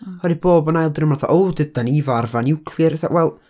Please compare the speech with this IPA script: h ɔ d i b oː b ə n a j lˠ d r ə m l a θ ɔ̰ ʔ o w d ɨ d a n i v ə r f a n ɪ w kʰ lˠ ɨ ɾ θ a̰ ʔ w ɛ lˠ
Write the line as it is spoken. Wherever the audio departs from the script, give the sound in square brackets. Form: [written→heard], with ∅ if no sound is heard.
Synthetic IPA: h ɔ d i b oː b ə n a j lˠ d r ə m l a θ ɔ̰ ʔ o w d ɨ d a n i v [ə→a] r [f→v] a n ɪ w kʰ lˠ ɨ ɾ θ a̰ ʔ w ɛ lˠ